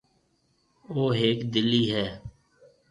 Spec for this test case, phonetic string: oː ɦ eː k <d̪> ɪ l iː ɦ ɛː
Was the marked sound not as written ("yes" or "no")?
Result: no